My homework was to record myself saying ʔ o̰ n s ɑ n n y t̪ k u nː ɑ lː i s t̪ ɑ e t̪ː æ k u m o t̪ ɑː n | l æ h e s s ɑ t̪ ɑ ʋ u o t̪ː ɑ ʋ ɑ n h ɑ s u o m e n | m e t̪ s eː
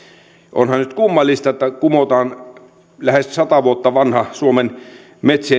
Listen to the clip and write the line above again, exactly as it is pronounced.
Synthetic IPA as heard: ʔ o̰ n h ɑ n n y t̪ k u mː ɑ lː i s t̪ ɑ e t̪ː æ k u m o t̪ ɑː n | l æ h e s s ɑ t̪ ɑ ʋ u o t̪ː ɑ ʋ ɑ n h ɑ s u o m e n | m e t̪ s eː